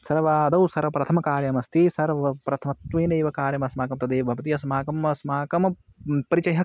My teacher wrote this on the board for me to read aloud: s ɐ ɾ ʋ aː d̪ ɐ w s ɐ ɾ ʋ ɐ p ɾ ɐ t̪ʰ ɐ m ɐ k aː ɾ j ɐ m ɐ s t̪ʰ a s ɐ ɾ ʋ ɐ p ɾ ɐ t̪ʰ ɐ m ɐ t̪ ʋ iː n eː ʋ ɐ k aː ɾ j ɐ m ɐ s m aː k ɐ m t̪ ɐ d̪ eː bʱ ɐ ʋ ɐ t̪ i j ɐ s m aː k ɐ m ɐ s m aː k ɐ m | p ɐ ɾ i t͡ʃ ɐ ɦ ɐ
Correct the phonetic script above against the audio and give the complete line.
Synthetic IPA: s ɐ ɾ ʋ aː d̪ ɐ w s ɐ ɾ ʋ ɐ p ɾ ɐ t̪ʰ ɐ m ɐ k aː ɾ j ɐ m ɐ s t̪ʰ i s ɐ ɾ ʋ ɐ p ɾ ɐ t̪ʰ ɐ m ɐ t̪ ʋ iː n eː ʋ ɐ k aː ɾ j ɐ m ɐ s m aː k ɐ m t̪ ɐ d̪ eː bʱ ɐ ʋ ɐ t̪ i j ɐ s m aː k ɐ m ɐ s m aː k ɐ m | p ɐ ɾ i t͡ʃ ɐ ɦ ɐ